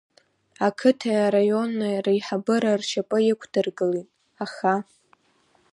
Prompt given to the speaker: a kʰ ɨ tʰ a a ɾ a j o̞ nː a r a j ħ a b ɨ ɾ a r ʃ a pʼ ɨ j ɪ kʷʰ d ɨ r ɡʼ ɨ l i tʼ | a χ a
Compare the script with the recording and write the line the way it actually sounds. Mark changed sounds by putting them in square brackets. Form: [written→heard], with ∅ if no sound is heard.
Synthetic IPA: a kʰ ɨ tʰ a a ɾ a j o̞ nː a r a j ħ a b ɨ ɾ a r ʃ a pʼ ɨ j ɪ kʷʰ d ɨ r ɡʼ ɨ l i tʼ | a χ a